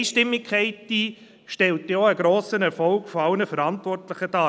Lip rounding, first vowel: unrounded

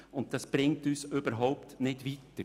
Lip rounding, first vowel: rounded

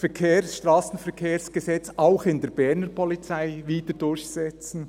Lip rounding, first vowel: unrounded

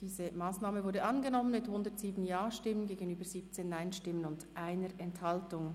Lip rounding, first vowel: unrounded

